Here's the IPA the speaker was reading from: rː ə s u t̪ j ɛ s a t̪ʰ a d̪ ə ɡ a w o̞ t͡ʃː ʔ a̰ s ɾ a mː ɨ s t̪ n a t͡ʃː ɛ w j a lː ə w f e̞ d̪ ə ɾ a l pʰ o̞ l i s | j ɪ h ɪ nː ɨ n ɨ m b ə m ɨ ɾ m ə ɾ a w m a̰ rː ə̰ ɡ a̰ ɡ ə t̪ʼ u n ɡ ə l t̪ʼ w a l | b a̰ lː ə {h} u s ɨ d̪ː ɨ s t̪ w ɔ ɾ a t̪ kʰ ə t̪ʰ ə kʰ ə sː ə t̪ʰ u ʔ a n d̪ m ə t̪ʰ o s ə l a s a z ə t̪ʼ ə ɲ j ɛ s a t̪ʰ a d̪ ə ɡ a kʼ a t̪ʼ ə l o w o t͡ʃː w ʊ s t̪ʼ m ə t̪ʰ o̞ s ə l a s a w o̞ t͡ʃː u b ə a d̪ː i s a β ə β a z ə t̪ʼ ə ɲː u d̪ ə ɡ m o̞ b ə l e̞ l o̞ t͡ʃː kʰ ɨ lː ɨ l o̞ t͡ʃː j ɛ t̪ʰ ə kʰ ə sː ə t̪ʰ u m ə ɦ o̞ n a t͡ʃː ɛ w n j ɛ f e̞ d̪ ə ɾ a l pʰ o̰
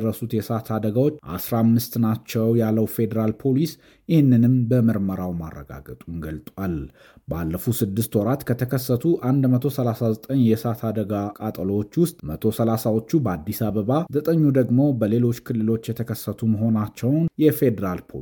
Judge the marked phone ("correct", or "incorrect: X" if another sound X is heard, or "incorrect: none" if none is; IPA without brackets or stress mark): incorrect: f